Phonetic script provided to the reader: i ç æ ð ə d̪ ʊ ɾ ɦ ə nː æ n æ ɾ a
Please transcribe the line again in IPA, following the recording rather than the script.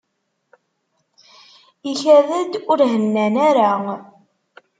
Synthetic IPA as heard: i ç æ ð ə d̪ ʊ ɾ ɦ ə nː æ n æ ɾ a